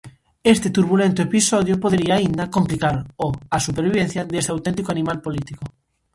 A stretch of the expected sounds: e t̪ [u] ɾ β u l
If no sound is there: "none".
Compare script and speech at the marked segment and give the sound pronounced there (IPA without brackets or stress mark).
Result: u